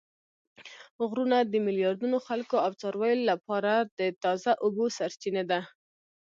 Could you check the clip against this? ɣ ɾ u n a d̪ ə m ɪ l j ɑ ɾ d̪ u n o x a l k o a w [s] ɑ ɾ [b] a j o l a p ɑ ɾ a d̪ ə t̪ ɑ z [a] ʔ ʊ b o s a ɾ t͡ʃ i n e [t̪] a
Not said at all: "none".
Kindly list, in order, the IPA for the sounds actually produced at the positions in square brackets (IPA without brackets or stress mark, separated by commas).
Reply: t͡s, w, a, d̪